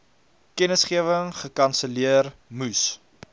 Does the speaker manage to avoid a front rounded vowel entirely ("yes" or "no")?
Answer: yes